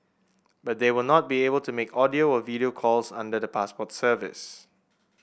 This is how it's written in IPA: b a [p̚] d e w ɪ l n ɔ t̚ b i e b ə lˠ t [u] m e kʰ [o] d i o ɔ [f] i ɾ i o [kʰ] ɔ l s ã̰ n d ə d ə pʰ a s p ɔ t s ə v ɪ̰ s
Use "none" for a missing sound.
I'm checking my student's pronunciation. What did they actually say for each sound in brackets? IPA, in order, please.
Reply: t̚, u, ɔ, v, kʰ

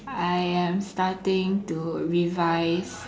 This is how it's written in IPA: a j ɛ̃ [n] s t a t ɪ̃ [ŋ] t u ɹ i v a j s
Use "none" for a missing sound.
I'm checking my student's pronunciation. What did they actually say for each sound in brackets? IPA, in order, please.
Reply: m, ŋ

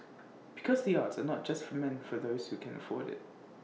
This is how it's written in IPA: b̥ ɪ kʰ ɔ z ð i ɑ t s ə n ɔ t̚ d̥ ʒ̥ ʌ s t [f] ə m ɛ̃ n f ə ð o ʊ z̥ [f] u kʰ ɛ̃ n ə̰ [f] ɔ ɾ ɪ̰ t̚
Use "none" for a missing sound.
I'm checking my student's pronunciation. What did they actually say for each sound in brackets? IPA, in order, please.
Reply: f, h, f

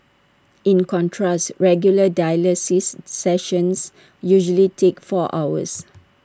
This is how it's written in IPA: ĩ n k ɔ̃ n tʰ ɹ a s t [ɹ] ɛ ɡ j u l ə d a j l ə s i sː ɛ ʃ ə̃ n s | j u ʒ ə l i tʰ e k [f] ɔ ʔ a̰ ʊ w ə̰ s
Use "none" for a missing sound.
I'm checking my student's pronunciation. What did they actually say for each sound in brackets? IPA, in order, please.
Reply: ɹ, f

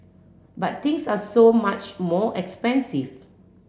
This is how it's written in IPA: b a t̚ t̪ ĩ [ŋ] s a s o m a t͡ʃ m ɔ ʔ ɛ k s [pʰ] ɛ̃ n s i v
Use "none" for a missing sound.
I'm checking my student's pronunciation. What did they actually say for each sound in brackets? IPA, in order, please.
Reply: ŋ, p

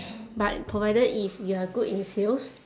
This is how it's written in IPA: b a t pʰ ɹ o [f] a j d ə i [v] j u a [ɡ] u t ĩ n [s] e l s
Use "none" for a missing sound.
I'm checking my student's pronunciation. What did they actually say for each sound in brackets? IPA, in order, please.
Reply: v, f, ɡ, s

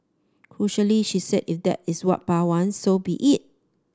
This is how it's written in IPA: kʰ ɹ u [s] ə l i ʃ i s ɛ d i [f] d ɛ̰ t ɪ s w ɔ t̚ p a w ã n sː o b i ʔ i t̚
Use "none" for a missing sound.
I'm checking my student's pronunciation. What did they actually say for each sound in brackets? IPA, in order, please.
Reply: ʃ, f

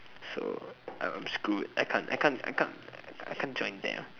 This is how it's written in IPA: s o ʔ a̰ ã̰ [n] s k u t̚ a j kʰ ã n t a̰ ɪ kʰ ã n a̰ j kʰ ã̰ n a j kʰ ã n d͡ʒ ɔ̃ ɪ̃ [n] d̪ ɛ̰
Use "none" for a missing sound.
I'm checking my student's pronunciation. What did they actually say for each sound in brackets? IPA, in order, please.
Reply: m, n

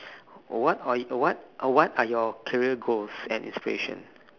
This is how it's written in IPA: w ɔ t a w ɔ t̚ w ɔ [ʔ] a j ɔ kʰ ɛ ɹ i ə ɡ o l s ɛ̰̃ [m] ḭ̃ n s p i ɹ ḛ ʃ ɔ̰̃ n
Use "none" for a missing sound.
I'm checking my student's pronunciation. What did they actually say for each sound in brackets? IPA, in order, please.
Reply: t, n

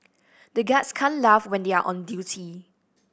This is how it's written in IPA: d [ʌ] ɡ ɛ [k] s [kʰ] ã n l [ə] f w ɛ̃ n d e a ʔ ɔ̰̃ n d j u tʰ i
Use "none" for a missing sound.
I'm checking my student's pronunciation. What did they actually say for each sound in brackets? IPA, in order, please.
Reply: ə, t, kʰ, a

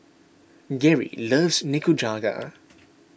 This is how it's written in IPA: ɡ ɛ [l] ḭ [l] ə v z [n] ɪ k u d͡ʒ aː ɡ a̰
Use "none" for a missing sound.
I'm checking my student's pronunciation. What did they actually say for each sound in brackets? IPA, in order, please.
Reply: ɹ, l, n

